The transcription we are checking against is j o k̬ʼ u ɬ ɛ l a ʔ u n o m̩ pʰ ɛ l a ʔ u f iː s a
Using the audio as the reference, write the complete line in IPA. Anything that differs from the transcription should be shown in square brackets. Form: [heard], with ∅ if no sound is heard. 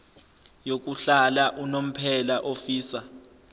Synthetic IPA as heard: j o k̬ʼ u ɬ [a] l a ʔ u n o m̩ pʰ ɛ l a ʔ [o] f iː s a

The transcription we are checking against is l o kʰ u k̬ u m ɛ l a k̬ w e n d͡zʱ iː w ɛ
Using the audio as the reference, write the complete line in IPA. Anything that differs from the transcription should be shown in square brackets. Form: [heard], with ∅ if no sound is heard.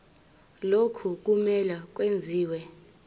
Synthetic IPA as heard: l o kʰ u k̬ u m ɛ l a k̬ w e n d͡zʱ iː w ɛ

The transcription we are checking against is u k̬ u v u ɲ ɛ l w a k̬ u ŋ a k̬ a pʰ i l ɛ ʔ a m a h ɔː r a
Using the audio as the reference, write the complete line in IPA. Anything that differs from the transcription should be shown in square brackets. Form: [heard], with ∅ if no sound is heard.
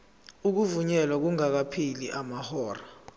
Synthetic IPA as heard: u k̬ u v u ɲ ɛ l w a k̬ u ŋ a k̬ a pʰ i l [i] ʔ a m a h ɔː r a

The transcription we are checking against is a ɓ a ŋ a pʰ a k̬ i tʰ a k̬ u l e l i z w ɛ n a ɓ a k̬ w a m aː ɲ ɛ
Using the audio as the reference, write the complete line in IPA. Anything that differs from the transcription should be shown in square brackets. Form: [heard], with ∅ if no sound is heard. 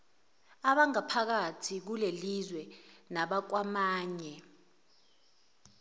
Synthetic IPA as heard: a ɓ a ŋ a pʰ a k̬ [a] tʰ [i] k̬ u l e l i z w ɛ n a ɓ a k̬ w a m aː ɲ ɛ

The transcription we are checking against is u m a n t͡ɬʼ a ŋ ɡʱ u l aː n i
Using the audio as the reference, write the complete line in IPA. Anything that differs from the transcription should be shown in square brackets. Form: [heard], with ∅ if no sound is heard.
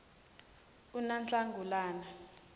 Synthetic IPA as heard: u [n] a n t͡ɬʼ a ŋ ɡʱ u l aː n [a]

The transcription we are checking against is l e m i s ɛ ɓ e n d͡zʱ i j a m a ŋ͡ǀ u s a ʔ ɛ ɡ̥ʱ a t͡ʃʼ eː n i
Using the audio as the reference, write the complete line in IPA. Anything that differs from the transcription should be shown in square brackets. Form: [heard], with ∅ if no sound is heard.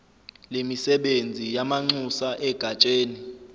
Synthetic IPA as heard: l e m i s ɛ ɓ e n d͡zʱ i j a m a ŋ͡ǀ u s a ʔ ɛ ɡ̥ʱ a t͡ʃʼ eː n i

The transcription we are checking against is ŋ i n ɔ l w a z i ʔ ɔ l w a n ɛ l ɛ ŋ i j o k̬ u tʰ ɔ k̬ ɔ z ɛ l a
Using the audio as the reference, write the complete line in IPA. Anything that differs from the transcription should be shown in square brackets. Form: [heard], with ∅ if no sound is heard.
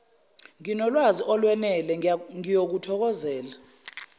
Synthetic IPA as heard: ŋ i n ɔ l w a z i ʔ ɔ l w [ɛ] n ɛ l ɛ ŋ i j o k̬ u tʰ ɔ k̬ ɔ z [ɛː] l a

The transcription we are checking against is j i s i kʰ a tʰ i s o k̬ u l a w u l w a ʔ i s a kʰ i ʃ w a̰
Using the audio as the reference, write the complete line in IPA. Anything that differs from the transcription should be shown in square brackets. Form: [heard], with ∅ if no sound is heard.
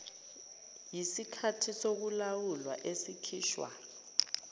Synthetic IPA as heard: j i s i kʰ a tʰ i s o k̬ u l a w u l w a ʔ [e] s [i] kʰ [iː] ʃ w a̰

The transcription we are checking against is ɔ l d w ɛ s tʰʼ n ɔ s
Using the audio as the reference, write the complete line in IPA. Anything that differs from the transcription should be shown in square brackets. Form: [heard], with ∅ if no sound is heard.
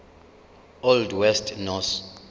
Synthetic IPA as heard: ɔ l d w ɛ s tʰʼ n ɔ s

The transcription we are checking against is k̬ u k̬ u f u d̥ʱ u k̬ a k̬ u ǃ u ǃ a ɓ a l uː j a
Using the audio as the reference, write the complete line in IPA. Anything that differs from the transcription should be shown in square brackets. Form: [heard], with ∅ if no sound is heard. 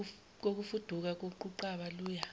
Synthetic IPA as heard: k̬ [o] k̬ u f u d̥ʱ u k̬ a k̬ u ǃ u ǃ a ɓ a l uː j a

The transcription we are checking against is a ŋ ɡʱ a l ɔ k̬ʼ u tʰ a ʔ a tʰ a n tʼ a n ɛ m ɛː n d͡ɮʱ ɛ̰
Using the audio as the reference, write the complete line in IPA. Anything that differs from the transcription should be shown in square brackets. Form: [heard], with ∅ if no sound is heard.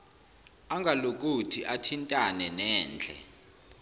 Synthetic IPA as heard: a ŋ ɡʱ a l [o] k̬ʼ u tʰ [i] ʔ a tʰ [i] n tʼ a n ɛ [n] ɛː n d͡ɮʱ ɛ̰

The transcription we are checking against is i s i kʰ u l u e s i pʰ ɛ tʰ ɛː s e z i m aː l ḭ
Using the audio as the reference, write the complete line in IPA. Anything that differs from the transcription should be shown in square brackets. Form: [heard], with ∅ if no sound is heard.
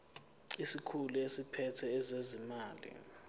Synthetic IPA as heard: i s i kʰ u l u e s i pʰ ɛ tʰ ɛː [z] e z i m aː l ḭ

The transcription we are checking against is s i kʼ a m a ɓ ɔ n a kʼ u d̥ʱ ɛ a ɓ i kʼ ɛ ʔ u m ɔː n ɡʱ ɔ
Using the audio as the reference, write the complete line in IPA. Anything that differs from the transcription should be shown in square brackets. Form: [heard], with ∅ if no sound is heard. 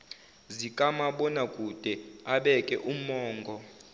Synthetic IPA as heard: [z] i kʼ a m a ɓ ɔ n a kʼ u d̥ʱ ɛ a ɓ [ɛ] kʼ ɛ ʔ u m ɔː [ŋ] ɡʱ ɔ

